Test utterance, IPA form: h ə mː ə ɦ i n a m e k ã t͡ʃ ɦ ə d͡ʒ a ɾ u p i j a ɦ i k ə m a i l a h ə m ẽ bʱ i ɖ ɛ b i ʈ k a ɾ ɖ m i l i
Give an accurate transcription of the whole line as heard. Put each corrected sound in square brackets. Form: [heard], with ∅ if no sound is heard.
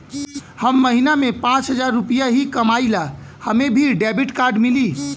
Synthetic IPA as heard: h ə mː ə ɦ i n a m e [p] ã t͡ʃ ɦ ə d͡ʒ a [ɾː] u p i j a ɦ i k ə m a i l a h ə m [e] bʱ i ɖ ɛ b i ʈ k a ɾ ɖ m i l i